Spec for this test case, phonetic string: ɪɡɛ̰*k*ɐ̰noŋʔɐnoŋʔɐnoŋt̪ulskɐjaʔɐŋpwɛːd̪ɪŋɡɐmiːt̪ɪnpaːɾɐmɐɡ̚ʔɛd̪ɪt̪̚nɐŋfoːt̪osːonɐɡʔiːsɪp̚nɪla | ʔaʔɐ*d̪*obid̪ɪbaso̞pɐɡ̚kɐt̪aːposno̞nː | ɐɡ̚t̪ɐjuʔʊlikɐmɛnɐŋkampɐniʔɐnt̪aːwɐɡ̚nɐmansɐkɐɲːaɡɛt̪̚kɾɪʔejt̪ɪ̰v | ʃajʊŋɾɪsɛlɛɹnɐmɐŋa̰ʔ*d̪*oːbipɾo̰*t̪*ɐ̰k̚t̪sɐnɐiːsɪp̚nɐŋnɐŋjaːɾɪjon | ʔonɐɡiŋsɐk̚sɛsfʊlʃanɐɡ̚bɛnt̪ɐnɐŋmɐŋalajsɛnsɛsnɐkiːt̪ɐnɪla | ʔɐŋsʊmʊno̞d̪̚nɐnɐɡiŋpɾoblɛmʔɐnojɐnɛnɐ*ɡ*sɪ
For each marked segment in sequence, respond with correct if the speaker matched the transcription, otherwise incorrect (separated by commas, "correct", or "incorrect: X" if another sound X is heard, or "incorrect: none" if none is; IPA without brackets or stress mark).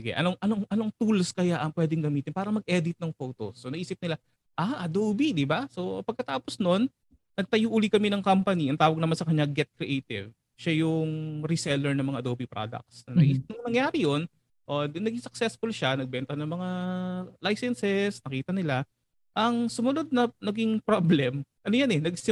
incorrect: ʔ, correct, correct, incorrect: d̪, correct